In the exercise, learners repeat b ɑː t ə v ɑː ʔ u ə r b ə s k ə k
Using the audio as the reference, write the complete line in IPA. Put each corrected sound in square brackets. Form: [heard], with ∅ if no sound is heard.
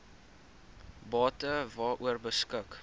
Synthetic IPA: b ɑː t ə v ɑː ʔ u ə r b ə s k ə k